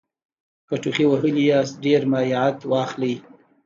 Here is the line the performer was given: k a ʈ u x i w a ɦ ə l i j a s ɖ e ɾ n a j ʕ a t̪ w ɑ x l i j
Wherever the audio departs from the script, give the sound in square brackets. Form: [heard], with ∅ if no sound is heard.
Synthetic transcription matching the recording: k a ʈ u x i w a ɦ ə l i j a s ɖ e ɾ [m] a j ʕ a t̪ w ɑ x l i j